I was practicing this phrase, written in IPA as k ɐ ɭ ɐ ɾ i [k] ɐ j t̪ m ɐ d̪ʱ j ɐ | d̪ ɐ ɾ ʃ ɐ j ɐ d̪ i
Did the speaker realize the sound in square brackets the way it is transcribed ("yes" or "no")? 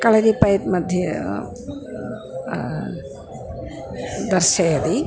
no